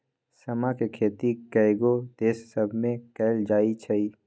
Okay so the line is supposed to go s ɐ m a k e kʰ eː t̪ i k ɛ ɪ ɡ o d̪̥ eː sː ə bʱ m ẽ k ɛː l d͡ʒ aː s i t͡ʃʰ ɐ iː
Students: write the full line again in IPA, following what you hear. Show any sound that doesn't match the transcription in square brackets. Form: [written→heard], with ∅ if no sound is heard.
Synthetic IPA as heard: s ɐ m a k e kʰ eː t̪ i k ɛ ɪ ɡ o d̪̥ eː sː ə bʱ m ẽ k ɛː l d͡ʒ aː [s→∅] i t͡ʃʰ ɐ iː

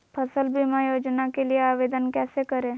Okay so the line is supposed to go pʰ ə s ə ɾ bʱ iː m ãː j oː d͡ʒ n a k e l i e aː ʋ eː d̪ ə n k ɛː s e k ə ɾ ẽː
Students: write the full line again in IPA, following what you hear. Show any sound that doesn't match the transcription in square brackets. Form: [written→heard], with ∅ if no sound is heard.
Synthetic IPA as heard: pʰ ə s ə [ɾ→l] bʱ [iː→i] m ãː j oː d͡ʒ n a k e l i e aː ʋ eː d̪ ə n k ɛː s e k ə ɾ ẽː

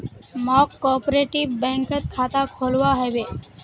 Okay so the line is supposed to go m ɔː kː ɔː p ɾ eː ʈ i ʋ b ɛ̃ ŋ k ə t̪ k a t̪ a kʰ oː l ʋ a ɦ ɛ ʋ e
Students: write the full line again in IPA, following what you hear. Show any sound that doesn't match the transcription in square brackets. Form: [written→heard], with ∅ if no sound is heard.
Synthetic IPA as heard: m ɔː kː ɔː p ɾ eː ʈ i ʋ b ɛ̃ ŋ k ə t̪ [k→kʰ] a t̪ a kʰ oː l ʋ a ɦ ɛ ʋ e

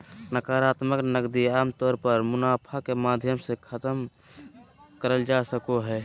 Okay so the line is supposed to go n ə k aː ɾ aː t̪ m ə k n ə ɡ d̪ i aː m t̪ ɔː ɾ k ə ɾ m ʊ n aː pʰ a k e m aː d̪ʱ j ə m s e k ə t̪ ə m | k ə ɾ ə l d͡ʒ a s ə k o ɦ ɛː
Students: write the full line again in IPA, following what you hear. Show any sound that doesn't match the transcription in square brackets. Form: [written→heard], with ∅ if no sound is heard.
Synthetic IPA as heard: n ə k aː ɾ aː t̪ m ə k n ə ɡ d̪ i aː m t̪ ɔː ɾ [k→p] ə ɾ m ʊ n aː pʰ a k e m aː d̪ʱ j ə m s e [k→kʰ] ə t̪ ə m | k ə ɾ ə l d͡ʒ a s ə k o ɦ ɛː

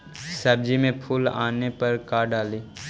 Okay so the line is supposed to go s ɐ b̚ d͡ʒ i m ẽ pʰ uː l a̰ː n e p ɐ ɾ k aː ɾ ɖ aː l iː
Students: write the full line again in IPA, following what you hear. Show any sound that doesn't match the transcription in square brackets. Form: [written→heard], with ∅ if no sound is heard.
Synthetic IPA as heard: s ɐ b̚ d͡ʒ i m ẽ pʰ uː l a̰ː n e p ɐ ɾ k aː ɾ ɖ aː l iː

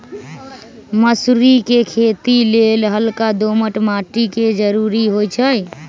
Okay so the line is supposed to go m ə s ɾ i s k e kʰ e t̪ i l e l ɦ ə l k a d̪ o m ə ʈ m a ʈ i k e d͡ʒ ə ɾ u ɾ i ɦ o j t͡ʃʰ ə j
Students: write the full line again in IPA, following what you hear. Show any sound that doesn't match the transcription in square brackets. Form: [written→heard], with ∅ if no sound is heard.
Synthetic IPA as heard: m ə s ɾ i [s→∅] k e kʰ e t̪ i l e l ɦ ə l k a d̪ o m ə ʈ m a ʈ i k e d͡ʒ ə ɾ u ɾ i ɦ o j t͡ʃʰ ə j

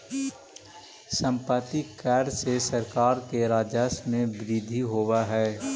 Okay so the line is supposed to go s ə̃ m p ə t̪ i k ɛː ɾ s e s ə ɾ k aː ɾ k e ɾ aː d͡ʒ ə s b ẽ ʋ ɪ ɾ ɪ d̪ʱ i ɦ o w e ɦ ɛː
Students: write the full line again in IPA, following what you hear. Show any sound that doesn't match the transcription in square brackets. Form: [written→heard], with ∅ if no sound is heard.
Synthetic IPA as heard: s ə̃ m p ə t̪ i k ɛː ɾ s e s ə ɾ k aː ɾ k e ɾ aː d͡ʒ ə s [b→m] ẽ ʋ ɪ ɾ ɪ d̪ʱ i ɦ o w [e→a] ɦ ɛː

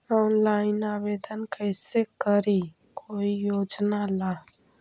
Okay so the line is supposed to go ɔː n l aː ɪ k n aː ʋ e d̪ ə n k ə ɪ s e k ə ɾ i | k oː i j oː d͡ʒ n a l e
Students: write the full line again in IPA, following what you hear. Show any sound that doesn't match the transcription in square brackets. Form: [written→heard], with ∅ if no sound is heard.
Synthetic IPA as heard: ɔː n l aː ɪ [k→∅] n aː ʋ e d̪ ə n k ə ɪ s e k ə ɾ i | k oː i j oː d͡ʒ n a l [e→a]

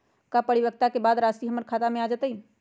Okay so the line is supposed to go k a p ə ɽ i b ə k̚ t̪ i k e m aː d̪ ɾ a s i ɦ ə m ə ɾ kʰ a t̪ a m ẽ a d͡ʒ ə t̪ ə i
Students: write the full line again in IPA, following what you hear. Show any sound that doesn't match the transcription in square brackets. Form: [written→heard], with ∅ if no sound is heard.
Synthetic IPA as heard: k a p ə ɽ i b ə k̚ t̪ [i→a] k e [m→b] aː d̪ ɾ a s i ɦ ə m ə ɾ kʰ a t̪ a m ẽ a d͡ʒ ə t̪ ə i

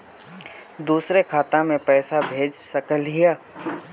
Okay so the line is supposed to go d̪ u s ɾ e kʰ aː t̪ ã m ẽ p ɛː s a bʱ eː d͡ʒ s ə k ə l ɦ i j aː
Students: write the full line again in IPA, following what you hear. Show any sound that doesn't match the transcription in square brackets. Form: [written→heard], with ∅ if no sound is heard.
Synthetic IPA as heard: d̪ [u→uː] s ɾ e kʰ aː t̪ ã m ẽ p ɛː s a bʱ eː d͡ʒ s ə k ə l ɦ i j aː

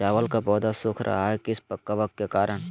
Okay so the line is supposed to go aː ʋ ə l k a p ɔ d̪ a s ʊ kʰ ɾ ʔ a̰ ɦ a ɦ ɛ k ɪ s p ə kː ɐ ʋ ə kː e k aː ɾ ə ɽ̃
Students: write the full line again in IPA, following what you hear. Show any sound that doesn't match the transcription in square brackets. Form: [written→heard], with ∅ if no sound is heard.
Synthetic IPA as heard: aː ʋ ə l k a p [ɔ→ɔː] d̪ a s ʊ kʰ ɾ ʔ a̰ ɦ a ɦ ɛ k ɪ s p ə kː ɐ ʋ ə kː e k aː ɾ ə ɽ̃

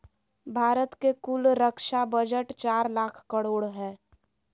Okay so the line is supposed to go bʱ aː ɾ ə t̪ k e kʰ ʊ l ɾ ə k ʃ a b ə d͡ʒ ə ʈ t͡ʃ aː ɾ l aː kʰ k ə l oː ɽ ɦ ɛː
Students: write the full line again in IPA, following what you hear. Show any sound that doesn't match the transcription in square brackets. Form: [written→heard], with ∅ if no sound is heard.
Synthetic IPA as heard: bʱ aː ɾ ə t̪ k e [kʰ→k] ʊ l ɾ ə k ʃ a b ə d͡ʒ ə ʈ t͡ʃ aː ɾ l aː kʰ k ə [l→ɽ] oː ɽ ɦ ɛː

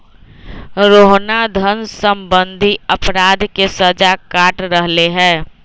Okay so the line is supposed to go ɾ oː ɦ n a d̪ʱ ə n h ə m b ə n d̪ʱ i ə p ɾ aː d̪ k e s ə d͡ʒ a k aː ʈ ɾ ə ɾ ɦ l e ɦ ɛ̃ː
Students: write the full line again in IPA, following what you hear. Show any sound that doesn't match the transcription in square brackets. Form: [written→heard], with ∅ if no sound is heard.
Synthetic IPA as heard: ɾ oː ɦ n a d̪ʱ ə n [h→s] ə m b ə n d̪ʱ i ə p ɾ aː d̪ k e s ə d͡ʒ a k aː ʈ ɾ ə [ɾ→∅] ɦ l e ɦ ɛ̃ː

